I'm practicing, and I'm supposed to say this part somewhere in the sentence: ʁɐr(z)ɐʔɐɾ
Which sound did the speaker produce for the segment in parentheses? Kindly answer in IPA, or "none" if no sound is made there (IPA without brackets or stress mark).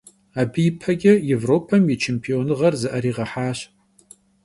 z